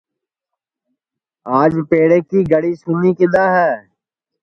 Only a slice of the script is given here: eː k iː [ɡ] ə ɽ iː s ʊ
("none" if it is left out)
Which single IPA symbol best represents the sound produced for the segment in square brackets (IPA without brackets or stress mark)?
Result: ɡ